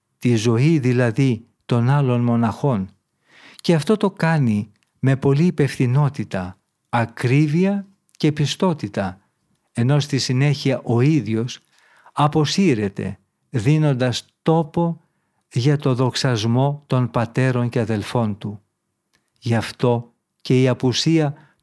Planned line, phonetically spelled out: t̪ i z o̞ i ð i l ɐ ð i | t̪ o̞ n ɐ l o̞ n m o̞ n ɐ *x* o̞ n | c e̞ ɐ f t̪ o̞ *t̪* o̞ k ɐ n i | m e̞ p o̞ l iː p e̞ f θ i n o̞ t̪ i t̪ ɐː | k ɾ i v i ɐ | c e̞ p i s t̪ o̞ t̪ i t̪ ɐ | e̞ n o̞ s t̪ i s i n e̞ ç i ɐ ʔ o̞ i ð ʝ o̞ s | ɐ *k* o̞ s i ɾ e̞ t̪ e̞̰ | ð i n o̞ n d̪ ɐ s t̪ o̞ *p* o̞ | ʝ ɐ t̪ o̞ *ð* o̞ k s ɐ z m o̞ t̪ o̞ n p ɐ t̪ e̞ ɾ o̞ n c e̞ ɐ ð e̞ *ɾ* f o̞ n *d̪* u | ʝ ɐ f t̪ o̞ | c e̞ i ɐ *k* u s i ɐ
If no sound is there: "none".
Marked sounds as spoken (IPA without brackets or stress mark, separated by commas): x, t̪, p, p, ð, l, t̪, p